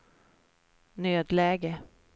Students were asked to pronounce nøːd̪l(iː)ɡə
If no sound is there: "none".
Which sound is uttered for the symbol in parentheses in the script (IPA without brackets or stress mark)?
ɛː